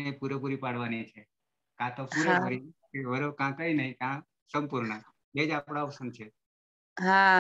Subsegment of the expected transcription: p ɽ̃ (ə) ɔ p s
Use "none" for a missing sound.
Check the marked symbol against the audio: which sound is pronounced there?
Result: a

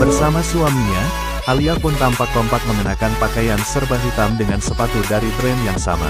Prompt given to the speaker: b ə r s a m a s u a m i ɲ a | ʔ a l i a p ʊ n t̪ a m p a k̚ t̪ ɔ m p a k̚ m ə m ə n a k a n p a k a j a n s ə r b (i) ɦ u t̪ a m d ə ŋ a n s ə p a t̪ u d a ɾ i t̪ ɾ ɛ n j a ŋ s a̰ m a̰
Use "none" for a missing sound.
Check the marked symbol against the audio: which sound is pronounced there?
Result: a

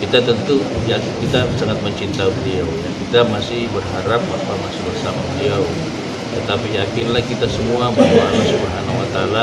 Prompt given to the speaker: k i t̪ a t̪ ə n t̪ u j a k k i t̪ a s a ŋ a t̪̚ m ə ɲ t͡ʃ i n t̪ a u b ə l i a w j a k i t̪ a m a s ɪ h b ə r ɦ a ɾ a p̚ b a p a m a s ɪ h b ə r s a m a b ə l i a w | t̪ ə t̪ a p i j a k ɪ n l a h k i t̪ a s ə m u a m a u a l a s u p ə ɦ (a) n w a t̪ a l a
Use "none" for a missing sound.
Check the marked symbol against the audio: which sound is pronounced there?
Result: a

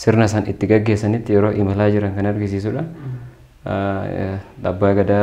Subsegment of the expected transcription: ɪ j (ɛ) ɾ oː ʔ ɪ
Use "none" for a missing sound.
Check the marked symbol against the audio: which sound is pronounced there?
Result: ɛ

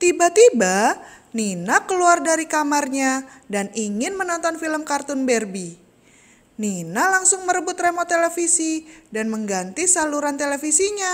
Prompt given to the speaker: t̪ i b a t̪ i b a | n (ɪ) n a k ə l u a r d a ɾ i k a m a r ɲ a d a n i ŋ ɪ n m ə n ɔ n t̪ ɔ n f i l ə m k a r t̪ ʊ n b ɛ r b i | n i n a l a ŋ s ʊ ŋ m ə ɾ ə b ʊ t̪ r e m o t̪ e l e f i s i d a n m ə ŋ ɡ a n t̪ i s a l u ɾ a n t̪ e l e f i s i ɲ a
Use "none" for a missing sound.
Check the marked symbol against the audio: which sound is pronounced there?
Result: i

